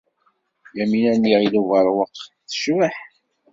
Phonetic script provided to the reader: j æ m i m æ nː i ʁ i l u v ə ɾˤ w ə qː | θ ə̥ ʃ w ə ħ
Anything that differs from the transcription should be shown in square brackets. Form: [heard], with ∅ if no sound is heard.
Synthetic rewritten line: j æ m i [n] æ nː i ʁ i l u v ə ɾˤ w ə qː | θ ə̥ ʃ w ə ħ